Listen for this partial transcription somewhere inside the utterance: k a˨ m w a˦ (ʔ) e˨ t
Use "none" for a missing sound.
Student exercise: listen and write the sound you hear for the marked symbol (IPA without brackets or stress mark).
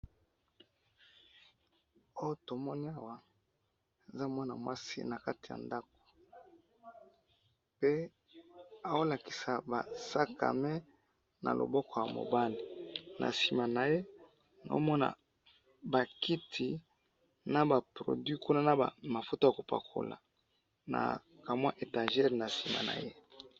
ʔ